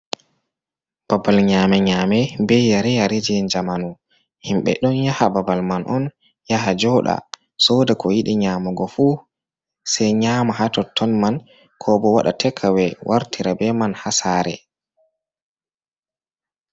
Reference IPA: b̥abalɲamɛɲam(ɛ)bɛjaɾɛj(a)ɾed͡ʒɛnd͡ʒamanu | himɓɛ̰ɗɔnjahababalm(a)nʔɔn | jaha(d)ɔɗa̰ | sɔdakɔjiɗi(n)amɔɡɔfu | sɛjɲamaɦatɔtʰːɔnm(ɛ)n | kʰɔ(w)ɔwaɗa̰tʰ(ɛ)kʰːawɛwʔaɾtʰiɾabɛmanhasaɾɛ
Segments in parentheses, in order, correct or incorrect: correct, correct, correct, incorrect: d͡ʒ, incorrect: ɲ, incorrect: a, incorrect: b, correct

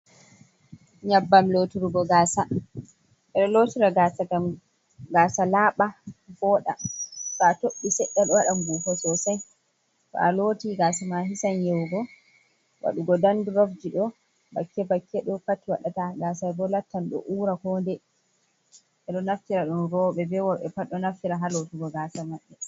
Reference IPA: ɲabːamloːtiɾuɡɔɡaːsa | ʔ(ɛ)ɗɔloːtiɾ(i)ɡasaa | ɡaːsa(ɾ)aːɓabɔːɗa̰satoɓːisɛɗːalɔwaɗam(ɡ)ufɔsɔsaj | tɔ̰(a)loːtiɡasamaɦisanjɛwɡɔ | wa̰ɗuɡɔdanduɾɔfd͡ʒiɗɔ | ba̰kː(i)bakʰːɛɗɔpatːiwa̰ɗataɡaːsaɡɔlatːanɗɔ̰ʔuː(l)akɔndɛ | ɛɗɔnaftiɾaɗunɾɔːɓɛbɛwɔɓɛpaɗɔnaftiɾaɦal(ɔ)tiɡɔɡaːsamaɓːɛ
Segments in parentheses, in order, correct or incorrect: correct, incorrect: a, incorrect: l, correct, correct, incorrect: ɛ, incorrect: ɾ, incorrect: o

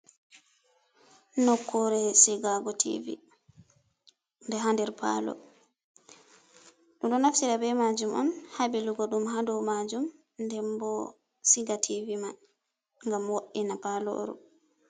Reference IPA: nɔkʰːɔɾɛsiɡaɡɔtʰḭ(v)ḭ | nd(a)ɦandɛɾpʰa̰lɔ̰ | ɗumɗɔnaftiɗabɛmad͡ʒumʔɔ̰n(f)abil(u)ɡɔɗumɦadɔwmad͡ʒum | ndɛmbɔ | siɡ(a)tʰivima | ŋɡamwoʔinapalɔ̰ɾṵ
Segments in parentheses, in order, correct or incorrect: correct, incorrect: ɛ, incorrect: h, correct, correct

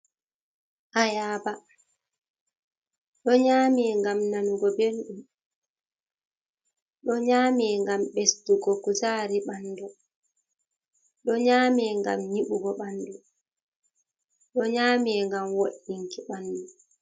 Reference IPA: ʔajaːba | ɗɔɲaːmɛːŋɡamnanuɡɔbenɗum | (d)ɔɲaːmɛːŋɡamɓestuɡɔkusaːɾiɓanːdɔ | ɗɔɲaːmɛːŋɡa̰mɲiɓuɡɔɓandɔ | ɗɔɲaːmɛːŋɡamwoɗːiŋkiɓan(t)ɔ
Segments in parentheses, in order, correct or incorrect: incorrect: ɗ, incorrect: d

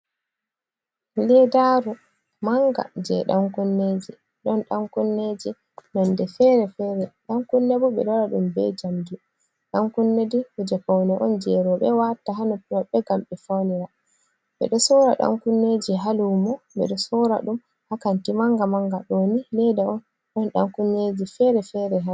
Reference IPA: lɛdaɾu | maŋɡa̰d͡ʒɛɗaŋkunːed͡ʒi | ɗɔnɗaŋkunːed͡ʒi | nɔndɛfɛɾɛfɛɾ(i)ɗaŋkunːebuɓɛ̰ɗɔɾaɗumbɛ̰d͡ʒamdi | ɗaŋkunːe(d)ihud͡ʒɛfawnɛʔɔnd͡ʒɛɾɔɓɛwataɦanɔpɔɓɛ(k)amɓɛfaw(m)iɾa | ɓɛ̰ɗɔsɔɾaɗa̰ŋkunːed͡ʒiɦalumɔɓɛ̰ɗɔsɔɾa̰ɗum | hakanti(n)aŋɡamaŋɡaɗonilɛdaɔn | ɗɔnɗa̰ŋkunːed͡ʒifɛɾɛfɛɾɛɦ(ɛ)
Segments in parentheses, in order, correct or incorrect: incorrect: ɛ, correct, incorrect: ɡ, incorrect: n, incorrect: m, incorrect: a

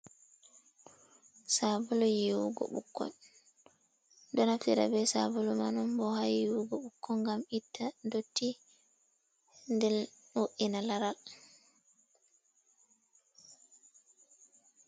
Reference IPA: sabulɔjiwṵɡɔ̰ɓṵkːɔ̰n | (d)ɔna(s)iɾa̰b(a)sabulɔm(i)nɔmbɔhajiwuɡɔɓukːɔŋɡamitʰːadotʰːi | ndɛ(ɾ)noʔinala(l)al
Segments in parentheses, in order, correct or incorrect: correct, incorrect: f, incorrect: ɛ, incorrect: a, incorrect: l, incorrect: ɾ

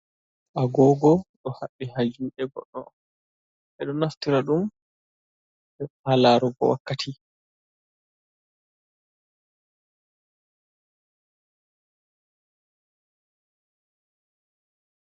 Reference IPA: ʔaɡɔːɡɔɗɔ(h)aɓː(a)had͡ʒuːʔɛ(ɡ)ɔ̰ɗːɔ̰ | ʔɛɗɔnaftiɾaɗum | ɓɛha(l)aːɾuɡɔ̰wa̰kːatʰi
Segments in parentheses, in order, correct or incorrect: correct, incorrect: i, correct, correct

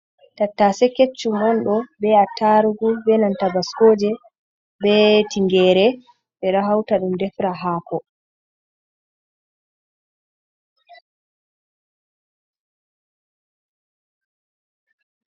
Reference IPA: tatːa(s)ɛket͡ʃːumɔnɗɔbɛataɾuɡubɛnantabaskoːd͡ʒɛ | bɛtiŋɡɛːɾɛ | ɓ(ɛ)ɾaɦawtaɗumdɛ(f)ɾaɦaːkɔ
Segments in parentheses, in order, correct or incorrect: correct, correct, correct

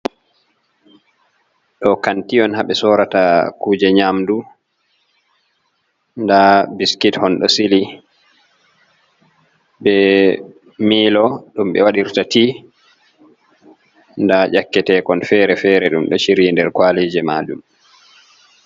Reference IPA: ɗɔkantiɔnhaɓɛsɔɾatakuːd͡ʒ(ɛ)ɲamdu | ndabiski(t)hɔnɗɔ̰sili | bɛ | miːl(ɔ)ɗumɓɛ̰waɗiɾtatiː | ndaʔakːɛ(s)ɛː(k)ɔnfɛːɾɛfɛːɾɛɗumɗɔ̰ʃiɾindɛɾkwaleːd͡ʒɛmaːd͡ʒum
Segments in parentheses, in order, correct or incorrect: correct, correct, correct, incorrect: t, correct

